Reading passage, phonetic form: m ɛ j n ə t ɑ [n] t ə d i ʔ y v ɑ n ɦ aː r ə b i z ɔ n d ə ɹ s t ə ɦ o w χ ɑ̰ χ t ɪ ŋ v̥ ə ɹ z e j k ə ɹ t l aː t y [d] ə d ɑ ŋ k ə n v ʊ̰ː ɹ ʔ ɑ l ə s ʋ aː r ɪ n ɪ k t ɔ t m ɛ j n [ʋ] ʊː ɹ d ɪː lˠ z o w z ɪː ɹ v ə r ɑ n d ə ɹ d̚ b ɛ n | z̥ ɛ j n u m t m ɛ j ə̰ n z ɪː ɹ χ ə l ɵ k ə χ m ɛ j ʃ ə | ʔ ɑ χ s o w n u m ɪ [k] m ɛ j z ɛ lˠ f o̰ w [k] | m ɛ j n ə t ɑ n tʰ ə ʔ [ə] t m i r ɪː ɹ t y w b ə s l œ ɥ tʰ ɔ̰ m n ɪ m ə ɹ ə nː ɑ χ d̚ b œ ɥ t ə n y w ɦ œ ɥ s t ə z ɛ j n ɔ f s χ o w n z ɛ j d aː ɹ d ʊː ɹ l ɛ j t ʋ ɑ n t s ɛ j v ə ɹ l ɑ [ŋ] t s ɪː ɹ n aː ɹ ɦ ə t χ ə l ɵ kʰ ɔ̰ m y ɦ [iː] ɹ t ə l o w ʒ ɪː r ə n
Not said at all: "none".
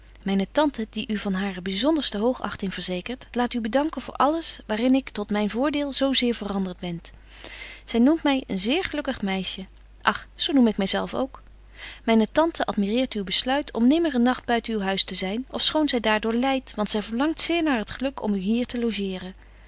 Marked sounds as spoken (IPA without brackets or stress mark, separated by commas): n, b, v, k, k, ɑ, ŋ, iː